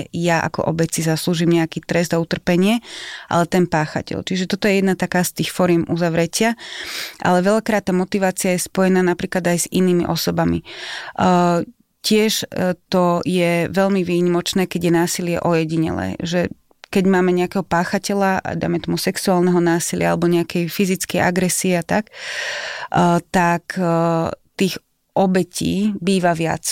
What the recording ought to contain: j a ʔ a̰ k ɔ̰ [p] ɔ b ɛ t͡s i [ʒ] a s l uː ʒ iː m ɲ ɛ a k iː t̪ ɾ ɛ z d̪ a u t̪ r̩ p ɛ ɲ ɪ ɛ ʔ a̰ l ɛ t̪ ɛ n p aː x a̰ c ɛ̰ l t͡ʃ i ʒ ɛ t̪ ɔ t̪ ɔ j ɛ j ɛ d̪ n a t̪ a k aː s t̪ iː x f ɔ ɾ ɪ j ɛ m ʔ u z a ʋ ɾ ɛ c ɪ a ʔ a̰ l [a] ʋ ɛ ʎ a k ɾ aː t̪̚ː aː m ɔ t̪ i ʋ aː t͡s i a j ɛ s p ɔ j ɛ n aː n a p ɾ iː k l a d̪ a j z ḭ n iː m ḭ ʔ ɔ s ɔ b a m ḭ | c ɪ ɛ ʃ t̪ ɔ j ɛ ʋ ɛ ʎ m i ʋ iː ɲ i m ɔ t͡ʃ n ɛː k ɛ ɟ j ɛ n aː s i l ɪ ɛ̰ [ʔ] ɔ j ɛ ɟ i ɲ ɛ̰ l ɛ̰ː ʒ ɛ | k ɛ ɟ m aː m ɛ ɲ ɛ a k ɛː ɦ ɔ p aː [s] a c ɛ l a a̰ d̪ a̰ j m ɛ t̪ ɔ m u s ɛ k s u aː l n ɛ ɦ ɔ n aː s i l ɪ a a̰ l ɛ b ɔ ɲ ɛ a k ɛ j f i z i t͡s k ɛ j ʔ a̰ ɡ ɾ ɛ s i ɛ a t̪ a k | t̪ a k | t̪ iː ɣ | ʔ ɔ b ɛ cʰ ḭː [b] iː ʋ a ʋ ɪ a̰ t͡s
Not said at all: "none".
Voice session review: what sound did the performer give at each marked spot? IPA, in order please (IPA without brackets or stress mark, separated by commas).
ʔ, z, ɛ, ʔ, x, b